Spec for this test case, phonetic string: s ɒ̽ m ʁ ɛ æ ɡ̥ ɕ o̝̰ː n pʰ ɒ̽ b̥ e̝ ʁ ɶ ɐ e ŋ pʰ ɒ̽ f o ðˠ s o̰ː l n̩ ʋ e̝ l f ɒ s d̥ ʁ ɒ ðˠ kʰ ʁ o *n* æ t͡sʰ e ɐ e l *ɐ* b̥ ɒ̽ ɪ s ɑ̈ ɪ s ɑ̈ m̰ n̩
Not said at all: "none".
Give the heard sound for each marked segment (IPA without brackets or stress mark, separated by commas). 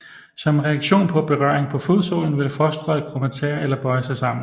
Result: m, ɐ